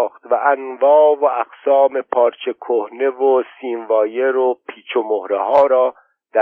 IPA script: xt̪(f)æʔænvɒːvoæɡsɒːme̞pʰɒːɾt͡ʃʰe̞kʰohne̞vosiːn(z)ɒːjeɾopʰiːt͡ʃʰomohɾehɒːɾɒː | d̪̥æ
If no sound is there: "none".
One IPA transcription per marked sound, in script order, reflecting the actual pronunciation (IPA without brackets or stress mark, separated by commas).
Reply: v, v